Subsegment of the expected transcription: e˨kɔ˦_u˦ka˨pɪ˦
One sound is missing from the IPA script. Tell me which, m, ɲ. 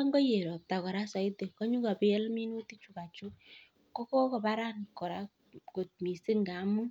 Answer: ɲ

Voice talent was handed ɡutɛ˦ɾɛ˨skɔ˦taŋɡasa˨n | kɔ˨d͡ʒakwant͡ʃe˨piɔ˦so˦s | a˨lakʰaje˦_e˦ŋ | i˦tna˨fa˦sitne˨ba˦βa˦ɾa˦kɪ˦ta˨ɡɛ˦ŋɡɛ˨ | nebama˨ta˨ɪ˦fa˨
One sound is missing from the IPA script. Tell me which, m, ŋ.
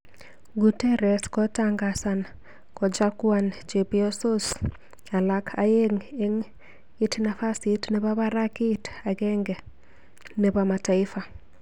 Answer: ŋ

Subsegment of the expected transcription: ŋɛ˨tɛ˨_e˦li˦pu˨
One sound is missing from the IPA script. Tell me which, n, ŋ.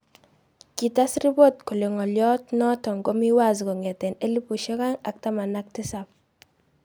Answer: n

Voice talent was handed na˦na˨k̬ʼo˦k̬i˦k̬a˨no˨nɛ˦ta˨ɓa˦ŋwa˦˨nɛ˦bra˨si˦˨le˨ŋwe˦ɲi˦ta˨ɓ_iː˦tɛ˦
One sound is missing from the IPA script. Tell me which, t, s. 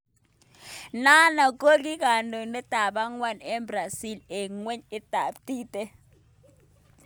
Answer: t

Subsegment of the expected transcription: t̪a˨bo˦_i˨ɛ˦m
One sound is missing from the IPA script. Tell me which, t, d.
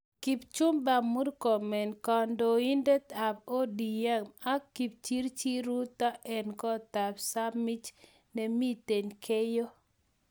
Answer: d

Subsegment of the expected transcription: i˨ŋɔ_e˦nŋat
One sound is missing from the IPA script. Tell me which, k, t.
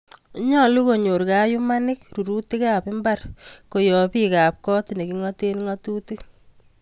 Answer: t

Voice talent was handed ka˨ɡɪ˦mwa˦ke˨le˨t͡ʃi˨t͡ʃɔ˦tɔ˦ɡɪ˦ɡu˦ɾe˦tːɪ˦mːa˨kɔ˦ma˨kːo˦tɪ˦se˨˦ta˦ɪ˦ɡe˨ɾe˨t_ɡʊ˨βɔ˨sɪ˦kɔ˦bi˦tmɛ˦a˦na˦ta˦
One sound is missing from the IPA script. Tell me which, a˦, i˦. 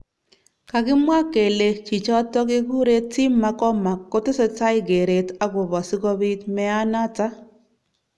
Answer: a˦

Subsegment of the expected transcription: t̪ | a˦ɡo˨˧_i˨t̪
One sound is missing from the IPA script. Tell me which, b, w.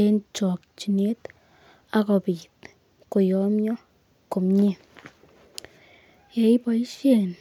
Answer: b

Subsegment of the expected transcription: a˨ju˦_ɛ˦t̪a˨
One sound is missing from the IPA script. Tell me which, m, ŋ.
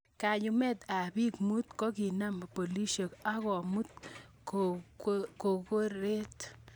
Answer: m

